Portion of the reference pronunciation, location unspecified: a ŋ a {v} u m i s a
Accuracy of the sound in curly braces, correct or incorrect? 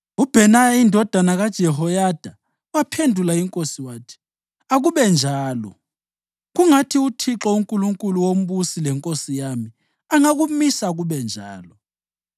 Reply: incorrect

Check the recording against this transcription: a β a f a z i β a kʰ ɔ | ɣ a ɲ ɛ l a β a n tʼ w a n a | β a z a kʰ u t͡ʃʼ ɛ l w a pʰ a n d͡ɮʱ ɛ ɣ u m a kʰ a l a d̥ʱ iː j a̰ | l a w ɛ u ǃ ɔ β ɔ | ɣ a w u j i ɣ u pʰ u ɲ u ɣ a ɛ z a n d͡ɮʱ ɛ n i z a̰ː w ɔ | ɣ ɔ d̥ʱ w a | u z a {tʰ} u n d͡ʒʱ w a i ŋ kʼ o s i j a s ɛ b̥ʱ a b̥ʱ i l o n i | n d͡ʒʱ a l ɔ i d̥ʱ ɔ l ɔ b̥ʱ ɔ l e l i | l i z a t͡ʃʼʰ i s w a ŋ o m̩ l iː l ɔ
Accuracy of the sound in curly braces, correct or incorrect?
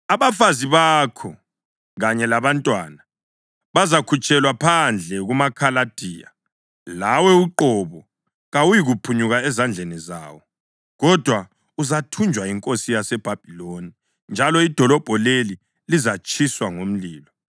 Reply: correct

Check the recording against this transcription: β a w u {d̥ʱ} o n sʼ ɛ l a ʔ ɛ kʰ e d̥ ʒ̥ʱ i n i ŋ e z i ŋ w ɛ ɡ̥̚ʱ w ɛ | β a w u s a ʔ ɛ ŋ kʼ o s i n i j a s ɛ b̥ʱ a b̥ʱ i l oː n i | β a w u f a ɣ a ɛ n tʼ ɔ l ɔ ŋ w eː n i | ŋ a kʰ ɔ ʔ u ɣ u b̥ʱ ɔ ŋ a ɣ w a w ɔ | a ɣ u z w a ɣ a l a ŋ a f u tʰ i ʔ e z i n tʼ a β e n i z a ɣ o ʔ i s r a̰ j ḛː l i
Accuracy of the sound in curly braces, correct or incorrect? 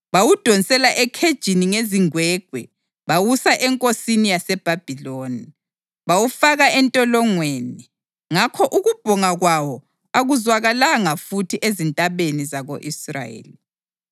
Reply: correct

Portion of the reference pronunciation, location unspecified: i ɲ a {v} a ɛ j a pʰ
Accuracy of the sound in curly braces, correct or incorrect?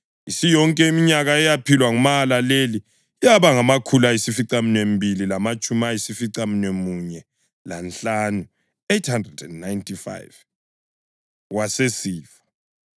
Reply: incorrect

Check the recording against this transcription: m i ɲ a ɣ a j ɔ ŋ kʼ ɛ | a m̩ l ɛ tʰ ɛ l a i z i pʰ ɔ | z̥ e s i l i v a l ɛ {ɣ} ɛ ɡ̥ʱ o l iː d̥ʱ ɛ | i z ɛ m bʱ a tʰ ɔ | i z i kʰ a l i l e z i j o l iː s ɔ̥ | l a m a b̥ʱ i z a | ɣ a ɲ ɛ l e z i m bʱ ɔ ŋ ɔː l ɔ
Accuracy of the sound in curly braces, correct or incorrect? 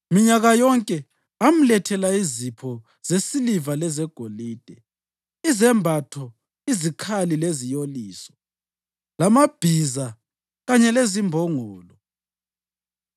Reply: incorrect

